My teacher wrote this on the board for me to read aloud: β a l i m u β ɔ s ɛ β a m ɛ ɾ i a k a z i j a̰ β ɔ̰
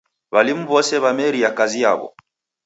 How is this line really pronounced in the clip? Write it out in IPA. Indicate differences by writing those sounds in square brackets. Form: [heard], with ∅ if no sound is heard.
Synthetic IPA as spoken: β a l i m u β ɔ s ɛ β a m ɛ ɾ i a k a z i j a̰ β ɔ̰